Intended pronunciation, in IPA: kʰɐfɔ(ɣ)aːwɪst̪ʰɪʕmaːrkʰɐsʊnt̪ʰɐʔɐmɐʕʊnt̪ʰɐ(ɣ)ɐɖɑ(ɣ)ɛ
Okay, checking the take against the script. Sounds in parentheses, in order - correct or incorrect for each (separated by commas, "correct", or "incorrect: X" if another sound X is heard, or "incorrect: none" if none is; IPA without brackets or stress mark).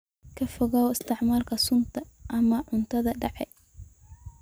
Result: correct, incorrect: ð, incorrect: ʕ